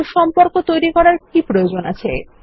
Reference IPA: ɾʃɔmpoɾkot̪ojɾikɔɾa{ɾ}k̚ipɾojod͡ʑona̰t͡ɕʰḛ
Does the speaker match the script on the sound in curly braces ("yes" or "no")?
yes